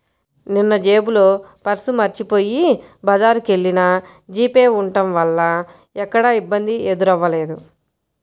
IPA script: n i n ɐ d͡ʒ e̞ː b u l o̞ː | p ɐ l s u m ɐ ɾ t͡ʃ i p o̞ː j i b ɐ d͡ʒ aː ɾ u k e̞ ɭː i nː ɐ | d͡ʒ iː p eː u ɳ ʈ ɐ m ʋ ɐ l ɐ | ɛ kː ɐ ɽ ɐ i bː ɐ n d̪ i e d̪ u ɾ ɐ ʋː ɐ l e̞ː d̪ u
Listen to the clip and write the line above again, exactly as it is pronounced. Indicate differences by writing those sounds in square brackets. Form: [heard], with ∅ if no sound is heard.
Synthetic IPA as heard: n i [nː] ɐ d͡ʒ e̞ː b u l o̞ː | p ɐ [ɾ] s u m ɐ ɾ t͡ʃ i p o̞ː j i b ɐ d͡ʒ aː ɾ u k e̞ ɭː i [n] ɐ | d͡ʒ iː p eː u ɳ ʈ ɐ m ʋ ɐ [lː] ɐ | ɛ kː ɐ ɽ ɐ i bː ɐ n d̪ i e d̪ u ɾ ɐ ʋː ɐ l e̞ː d̪ u